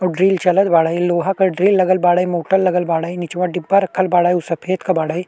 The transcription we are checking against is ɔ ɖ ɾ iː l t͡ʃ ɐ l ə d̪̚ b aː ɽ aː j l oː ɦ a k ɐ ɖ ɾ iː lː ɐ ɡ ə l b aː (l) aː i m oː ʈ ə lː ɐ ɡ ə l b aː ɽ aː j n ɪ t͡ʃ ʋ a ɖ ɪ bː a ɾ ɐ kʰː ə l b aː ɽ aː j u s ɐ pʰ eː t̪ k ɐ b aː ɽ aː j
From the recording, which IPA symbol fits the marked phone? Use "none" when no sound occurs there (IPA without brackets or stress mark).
ɽ